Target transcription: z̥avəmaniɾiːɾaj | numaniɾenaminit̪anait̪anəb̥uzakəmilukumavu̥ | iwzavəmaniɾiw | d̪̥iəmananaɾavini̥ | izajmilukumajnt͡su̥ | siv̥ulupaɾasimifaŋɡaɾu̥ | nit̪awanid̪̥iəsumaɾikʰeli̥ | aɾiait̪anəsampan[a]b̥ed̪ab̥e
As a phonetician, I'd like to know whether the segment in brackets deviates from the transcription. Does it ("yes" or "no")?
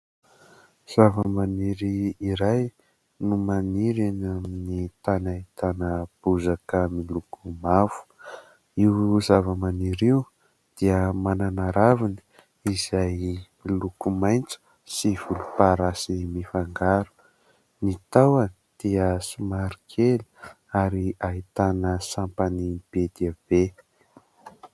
yes